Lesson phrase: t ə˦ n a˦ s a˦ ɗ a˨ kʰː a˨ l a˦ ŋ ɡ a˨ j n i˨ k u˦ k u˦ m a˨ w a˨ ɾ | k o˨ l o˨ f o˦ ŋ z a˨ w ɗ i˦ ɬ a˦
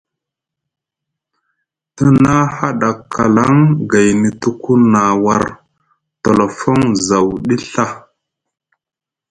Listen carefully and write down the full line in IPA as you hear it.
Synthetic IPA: t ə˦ n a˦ h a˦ ɗ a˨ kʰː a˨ l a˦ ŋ ɡ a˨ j n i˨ t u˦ k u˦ n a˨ w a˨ ɾ | t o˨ l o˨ f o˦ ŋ z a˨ w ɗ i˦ ɬ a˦